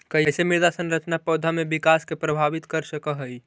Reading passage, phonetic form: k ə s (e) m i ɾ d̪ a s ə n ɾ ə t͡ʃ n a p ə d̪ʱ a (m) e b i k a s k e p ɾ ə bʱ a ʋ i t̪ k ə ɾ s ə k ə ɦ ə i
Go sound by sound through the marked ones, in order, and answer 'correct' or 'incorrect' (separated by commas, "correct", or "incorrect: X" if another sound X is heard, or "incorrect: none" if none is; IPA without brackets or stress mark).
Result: correct, correct